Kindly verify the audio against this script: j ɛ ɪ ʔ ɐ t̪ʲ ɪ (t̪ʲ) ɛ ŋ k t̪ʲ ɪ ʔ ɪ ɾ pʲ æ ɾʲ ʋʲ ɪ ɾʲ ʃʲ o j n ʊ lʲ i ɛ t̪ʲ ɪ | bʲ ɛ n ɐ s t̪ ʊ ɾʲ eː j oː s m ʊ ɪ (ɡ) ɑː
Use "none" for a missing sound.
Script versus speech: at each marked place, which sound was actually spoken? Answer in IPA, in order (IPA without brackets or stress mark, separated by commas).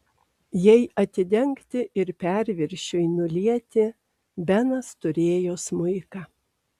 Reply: d̪ʲ, k